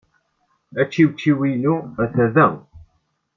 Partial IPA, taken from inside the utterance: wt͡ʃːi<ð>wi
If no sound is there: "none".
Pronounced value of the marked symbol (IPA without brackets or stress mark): none